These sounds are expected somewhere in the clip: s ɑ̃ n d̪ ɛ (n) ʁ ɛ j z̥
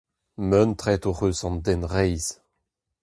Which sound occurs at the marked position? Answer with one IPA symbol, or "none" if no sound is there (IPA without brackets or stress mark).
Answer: n